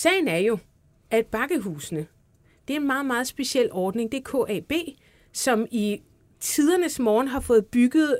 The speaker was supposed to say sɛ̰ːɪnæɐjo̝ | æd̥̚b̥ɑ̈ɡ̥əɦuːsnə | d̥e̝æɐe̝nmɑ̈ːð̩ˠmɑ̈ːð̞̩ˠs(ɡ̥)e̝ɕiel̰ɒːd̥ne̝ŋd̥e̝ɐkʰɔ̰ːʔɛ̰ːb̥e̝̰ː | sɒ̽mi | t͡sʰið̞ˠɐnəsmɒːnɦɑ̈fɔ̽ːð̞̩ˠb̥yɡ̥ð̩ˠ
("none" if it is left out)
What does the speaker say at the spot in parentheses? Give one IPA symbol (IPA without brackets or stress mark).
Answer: b̥